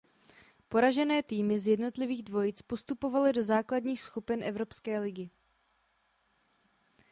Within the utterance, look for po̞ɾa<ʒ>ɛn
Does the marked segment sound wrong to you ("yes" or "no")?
no